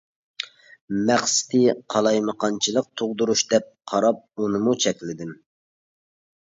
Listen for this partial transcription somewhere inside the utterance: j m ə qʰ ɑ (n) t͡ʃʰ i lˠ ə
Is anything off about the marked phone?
no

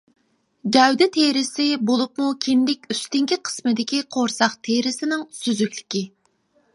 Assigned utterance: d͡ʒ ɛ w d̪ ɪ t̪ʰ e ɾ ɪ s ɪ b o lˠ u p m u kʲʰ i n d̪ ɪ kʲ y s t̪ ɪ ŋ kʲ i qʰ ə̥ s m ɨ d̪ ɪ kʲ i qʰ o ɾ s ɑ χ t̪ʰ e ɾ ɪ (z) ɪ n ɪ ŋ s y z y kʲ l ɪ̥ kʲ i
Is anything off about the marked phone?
yes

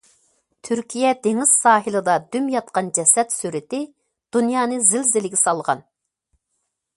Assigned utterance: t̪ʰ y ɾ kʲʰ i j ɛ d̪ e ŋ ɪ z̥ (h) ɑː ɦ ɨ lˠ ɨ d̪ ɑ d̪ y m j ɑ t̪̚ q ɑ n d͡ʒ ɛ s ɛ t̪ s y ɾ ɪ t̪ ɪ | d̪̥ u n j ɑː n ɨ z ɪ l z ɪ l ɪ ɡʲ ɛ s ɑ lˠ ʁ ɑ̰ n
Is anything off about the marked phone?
yes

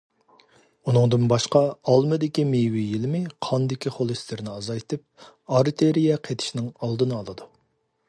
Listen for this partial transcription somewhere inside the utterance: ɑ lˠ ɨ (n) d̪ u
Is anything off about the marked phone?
yes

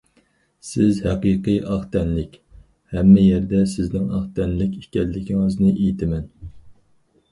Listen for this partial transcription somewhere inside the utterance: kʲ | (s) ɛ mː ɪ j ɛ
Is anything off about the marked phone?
yes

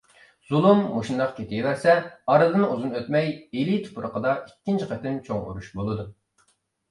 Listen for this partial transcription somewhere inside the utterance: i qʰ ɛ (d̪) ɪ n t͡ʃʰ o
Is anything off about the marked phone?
yes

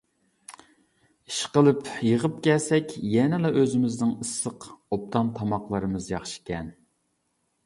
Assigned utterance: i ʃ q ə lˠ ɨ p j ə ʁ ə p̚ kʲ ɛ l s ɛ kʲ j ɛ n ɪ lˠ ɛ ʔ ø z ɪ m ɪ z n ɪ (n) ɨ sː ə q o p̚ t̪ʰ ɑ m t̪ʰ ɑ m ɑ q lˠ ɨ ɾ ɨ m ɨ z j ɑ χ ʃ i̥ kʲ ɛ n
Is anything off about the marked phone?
yes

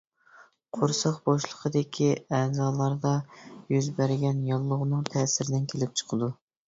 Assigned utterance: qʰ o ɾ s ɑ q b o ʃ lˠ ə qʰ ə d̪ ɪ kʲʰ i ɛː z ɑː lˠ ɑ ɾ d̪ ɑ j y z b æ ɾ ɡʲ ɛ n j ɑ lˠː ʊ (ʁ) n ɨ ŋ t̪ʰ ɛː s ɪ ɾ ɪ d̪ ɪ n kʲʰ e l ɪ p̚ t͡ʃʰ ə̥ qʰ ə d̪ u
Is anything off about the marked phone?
no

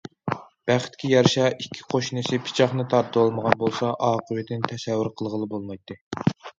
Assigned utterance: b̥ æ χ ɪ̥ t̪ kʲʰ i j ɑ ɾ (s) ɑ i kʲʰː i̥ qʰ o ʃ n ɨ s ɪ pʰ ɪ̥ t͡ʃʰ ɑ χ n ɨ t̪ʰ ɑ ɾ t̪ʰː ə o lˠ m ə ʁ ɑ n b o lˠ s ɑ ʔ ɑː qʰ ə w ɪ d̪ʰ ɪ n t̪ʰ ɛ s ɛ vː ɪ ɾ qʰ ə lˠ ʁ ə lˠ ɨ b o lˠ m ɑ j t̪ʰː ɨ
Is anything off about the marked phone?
yes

